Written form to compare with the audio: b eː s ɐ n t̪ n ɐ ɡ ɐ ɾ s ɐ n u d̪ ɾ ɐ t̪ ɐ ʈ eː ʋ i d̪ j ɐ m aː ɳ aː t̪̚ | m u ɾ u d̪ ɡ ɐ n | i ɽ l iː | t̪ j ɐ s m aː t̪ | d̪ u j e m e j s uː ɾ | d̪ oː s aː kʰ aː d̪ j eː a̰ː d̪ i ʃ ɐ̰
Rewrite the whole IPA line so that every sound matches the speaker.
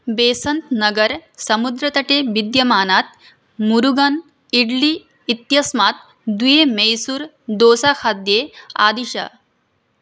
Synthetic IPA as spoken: b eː s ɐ n t̪ n ɐ ɡ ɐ ɾ s ɐ m u d̪ ɾ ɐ t̪ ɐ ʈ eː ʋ i d̪ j ɐ m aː n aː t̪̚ | m u ɾ u ɡ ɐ n | i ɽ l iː | t̪ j ɐ s m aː t̪ | d̪ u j e m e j s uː ɾ | d̪ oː s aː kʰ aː d̪ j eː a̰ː d̪ i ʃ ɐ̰